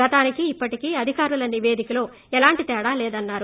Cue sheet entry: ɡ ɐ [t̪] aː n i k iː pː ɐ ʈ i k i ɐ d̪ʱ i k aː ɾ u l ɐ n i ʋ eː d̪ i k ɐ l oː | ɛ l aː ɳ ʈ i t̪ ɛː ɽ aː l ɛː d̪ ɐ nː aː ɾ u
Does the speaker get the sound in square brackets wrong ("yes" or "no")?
no